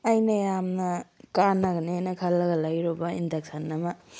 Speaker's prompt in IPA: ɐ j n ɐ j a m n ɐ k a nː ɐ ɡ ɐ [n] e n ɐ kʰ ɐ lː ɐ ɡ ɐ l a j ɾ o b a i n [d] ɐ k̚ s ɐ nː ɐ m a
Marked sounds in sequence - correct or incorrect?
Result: correct, correct

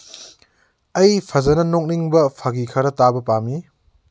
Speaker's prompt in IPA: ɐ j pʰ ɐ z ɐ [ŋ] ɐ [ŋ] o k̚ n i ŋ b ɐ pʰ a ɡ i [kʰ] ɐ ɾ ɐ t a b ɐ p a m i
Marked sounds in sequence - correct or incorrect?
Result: incorrect: n, incorrect: n, correct

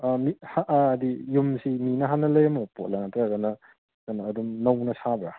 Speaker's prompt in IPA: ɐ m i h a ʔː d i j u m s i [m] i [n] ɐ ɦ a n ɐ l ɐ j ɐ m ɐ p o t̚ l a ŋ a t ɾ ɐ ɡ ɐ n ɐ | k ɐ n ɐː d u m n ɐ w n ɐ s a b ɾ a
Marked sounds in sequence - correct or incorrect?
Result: correct, correct

